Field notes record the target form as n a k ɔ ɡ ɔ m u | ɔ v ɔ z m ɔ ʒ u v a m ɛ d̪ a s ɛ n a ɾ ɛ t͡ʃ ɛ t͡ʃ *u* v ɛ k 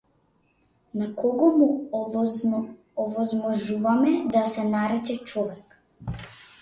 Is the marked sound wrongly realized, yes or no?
yes